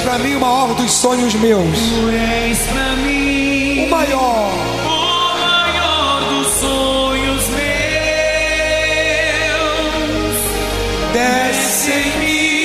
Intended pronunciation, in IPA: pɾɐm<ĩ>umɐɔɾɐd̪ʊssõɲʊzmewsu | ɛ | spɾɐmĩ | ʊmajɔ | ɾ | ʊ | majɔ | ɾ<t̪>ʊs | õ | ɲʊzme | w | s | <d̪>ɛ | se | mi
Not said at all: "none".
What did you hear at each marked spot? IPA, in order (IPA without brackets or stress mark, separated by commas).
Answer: ĩ, d̪, d̪